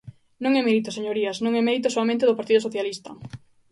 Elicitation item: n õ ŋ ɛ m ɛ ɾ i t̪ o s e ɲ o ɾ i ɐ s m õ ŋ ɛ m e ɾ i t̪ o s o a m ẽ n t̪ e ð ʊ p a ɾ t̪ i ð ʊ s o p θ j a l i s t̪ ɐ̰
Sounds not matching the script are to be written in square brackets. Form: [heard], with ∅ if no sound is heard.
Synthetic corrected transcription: n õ ŋ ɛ m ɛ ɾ i t̪ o s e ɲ o ɾ i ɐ s [n] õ ŋ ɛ m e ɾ i t̪ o s o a m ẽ n t̪ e ð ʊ p a ɾ t̪ i ð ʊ s o [∅] θ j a l i s t̪ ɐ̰